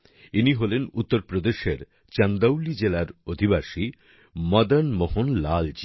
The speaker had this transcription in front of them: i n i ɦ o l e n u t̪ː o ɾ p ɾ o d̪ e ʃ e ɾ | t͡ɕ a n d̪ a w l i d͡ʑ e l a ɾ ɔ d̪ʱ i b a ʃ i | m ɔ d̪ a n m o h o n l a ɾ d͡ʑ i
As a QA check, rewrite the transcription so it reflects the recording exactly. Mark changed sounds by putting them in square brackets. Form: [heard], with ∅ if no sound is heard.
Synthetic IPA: i n i ɦ o l e n u t̪ː o ɾ p ɾ o d̪ e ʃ e ɾ | t͡ɕ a n d̪ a w l i d͡ʑ e l a ɾ [o] d̪ʱ i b a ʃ i | m ɔ d̪ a n m o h o n l a [l] d͡ʑ i